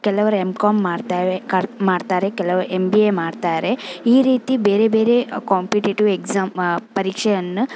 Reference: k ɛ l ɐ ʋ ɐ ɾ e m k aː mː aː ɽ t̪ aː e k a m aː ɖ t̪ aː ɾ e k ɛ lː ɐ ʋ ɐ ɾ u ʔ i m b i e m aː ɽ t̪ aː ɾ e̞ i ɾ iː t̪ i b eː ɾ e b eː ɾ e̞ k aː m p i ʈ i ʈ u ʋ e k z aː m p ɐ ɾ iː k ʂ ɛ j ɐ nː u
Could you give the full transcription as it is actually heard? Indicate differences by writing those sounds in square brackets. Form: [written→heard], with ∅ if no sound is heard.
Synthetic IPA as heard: k ɛ l ɐ ʋ ɐ ɾ e m k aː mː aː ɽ t̪ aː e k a m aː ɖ t̪ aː ɾ e k ɛ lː ɐ ʋ ɐ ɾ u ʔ [i→e] m b i e m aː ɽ t̪ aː ɾ e̞ [i→iː] ɾ iː t̪ i b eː ɾ e b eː ɾ e̞ k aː m p i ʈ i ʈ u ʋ e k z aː m p ɐ ɾ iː k ʂ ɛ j ɐ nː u